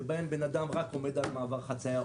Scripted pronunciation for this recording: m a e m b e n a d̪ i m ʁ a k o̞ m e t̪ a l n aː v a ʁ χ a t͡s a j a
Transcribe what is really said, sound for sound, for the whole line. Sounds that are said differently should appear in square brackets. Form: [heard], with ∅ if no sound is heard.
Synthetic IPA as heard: [b] a e m b e n a d̪ [a] m ʁ a k o̞ m e [d̪] a l [m] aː v a ʁ χ a t͡s a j a